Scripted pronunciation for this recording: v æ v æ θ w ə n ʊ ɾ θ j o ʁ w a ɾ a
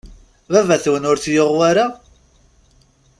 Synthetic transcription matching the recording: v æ v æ θ w ə n ʊ ɾ θ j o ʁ w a ɾ a

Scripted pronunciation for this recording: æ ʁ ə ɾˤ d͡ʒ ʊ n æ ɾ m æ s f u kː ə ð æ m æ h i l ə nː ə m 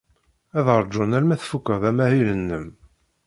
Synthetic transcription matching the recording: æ ð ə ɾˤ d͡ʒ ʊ n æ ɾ m æ θ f u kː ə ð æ m æ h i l ə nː ə m

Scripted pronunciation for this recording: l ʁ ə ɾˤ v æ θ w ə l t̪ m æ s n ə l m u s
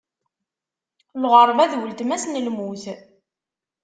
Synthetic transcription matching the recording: l ʁ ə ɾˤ v æ ð w ə l t̪ m æ s n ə l m u θ

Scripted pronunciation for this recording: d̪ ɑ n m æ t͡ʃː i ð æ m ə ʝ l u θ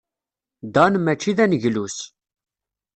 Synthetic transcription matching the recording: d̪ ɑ n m æ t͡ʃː i ð æ n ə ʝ l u s

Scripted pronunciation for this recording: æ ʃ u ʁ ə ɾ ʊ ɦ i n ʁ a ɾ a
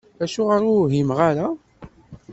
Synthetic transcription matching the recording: æ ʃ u ʁ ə ɾ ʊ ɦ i m ʁ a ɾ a

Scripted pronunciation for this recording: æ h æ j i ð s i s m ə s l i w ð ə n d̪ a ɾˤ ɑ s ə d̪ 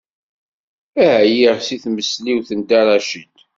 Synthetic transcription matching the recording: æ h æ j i ʁ s i θ m ə s l i w θ ə n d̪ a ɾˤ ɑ ʃ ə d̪

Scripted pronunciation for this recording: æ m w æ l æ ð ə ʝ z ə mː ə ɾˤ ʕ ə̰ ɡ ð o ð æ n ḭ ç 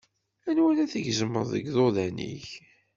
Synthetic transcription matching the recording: æ n w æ l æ θ ə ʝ z ə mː ə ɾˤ ð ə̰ ɡ ð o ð æ n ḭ ç

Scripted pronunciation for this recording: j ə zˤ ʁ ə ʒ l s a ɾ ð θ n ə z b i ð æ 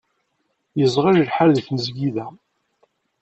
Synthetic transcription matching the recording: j ə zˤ ʁ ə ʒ l ħ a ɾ ð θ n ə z ɡ i ð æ

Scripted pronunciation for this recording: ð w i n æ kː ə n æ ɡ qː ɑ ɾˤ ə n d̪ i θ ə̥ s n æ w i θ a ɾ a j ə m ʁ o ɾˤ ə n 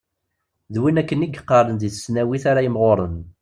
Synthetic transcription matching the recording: ð w i n æ kː ə n i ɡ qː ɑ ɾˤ ə n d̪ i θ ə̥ s n æ w i θ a ɾ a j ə m ʁ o ɾˤ ə n

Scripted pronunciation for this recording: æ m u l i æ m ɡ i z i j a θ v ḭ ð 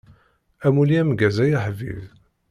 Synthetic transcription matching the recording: æ m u l i æ m ɡ æ z æ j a ħ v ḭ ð

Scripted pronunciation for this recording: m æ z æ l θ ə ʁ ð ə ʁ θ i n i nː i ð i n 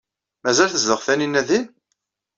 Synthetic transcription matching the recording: m æ z æ l θ ə z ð ə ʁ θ æ n i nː æ ð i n

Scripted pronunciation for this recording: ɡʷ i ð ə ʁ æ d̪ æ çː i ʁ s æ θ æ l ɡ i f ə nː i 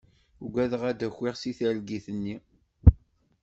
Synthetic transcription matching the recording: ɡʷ æ ð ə ʁ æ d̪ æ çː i ʁ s i θ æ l ɡ i θ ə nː i

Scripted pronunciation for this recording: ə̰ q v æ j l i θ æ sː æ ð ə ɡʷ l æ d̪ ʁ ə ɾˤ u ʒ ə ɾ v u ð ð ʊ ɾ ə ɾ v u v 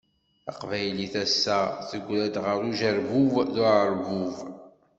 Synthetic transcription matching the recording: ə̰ q v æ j l i θ æ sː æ θ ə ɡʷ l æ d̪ ʁ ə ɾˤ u ʒ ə ɾ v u v ð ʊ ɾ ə ɾ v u v

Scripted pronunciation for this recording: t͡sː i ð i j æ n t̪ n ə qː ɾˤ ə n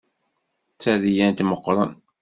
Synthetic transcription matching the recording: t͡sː æ ð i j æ n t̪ m ə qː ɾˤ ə n

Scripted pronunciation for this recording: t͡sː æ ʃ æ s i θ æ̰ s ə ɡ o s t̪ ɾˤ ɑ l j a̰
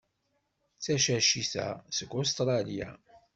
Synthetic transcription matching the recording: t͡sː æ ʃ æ ʃ i θ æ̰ s ə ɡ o s t̪ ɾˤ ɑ l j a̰

